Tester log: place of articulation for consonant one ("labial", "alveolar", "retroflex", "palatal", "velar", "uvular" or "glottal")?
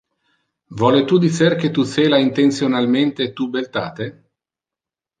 labial